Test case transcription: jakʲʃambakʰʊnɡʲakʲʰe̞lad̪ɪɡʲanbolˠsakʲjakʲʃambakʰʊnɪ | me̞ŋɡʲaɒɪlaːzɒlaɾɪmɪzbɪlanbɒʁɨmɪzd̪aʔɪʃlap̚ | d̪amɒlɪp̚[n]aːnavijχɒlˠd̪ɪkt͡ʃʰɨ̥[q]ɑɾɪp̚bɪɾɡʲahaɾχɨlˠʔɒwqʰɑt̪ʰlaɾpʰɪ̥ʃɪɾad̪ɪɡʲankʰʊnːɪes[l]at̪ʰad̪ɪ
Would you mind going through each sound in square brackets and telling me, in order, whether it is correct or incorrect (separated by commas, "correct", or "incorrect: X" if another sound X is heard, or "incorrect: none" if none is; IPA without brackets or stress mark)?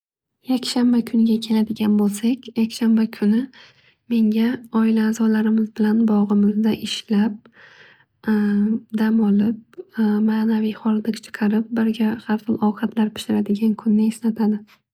incorrect: m, incorrect: qʰ, correct